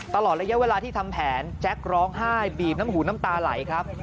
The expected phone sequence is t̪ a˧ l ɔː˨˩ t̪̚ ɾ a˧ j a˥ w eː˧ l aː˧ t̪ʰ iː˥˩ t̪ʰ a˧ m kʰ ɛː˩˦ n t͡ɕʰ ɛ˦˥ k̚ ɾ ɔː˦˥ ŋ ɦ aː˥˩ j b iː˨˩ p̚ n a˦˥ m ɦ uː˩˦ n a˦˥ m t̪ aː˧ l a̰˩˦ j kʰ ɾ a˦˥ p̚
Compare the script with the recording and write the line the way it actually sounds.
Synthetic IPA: t̪ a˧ l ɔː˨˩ t̪̚ ɾ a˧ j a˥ w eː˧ l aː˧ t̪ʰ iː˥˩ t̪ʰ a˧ m pʰ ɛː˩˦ n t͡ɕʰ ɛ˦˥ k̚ ɾ ɔː˦˥ ŋ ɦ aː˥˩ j b iː˨˩ p̚ n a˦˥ m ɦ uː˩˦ n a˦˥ m t̪ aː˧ l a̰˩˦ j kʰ ɾ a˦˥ p̚

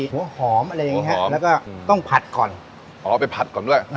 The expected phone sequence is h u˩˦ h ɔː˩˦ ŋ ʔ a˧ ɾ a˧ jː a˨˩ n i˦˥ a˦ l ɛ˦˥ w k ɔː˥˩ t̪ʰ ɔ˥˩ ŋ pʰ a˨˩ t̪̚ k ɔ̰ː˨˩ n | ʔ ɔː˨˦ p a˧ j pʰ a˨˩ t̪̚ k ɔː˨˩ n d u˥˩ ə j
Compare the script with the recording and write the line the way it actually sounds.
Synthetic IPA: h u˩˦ h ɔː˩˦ m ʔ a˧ ɾ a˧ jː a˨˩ ŋ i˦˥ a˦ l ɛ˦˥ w k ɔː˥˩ t̪ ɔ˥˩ ŋ pʰ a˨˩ t̪̚ k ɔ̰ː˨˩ n | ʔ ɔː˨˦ p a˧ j pʰ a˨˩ t̪̚ k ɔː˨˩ n d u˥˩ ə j

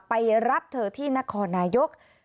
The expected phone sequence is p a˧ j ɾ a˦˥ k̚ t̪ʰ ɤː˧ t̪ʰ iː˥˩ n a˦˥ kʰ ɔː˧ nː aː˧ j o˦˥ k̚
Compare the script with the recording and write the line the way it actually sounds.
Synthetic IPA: p a˧ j ɾ a˦˥ p̚ t̪ʰ ɤː˧ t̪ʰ iː˥˩ n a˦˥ kʰ ɔː˧ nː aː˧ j o˦˥ k̚

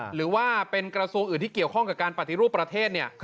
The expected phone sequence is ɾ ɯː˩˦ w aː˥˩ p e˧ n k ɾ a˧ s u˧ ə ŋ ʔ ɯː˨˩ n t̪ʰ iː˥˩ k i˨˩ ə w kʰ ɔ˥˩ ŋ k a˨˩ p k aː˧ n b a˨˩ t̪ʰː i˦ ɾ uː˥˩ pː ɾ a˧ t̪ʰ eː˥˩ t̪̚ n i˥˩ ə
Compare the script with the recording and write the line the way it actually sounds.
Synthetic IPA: ɾ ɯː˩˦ w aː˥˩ p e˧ n k ɾ a˧ s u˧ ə ŋ ʔ ɯː˨˩ n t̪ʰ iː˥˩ k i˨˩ ə w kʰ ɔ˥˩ ŋ k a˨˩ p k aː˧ n p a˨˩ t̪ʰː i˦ ɾ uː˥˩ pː ɾ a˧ t̪ʰ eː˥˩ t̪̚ n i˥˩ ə

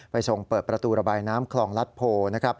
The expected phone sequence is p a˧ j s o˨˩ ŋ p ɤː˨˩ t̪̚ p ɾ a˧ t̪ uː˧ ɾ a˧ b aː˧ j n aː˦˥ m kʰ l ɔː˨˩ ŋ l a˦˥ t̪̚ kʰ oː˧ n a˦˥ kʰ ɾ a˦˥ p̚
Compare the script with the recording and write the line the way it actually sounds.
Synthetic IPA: p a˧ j s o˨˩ ŋ p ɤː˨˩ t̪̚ p ɾ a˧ t̪ uː˧ ɾ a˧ b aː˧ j n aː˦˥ m kʰ l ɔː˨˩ ŋ l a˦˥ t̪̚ pʰ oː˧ n a˦˥ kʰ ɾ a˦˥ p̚

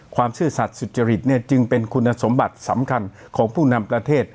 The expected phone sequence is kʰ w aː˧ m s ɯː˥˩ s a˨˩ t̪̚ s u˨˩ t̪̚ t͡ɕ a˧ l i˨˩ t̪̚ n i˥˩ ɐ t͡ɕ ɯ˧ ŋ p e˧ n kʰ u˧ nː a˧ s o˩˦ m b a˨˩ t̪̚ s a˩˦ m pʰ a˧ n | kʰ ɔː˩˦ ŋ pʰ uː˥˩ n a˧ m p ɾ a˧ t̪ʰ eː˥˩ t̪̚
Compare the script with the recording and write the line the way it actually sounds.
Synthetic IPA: kʰ w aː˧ m s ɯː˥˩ s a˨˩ t̪̚ s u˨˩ t̪̚ t͡ɕ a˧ ɾ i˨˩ t̪̚ n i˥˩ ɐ t͡ɕ ɯ˧ ŋ p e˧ n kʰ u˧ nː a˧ s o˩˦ m b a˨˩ t̪̚ s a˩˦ m kʰ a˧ n | kʰ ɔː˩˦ ŋ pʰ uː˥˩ n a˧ m p ɾ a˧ t̪ʰ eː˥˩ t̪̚

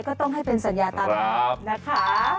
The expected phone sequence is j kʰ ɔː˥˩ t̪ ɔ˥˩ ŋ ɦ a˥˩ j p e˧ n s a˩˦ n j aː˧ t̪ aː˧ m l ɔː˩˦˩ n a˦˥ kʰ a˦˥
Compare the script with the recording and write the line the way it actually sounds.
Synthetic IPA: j k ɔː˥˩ t̪ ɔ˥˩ ŋ ɦ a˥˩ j p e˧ n s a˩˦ n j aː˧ t̪ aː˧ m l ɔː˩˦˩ n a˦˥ kʰ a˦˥

